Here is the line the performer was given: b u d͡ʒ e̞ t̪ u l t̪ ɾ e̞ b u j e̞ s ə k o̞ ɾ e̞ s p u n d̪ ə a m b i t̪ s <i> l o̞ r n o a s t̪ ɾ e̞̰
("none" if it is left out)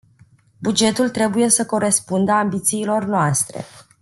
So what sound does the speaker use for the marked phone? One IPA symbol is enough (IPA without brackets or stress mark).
iː